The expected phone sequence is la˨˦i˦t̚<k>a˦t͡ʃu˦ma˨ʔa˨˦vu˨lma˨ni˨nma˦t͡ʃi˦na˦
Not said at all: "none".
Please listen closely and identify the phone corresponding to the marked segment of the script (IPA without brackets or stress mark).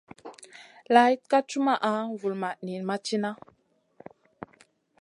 k